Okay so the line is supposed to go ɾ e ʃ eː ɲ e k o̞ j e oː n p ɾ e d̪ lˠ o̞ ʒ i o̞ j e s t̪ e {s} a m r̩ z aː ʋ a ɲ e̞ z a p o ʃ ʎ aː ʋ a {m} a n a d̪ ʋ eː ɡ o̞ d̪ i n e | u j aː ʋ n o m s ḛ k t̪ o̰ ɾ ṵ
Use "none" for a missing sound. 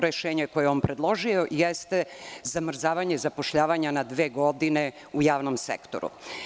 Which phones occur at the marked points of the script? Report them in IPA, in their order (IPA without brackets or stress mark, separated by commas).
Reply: z, ɲ